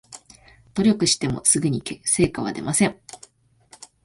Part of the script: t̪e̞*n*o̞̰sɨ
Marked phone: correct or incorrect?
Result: incorrect